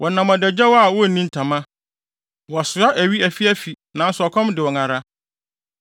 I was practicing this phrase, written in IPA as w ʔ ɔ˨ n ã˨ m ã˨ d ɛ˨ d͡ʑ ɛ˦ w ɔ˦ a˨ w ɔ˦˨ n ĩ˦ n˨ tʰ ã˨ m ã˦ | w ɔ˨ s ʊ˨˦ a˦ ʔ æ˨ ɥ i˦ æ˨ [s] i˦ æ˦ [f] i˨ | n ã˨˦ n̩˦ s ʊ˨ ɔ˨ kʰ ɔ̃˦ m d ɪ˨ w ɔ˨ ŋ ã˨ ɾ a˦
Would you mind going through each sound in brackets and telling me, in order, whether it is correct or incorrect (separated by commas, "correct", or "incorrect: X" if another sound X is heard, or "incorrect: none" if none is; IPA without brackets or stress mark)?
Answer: incorrect: f, correct